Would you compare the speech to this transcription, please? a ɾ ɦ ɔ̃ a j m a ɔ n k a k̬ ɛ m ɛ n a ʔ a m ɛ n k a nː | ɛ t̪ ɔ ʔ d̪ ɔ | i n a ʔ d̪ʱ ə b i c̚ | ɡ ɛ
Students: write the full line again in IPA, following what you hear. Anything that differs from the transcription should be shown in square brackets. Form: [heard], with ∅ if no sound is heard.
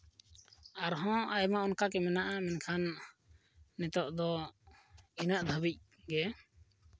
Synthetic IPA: a ɾ ɦ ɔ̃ a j m a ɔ n k a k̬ ɛ m ɛ n a ʔ a m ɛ n [kʰ] a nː | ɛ t̪ ɔ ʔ d̪ ɔ | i n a ʔ d̪ʱ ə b i c̚ | ɡ ɛ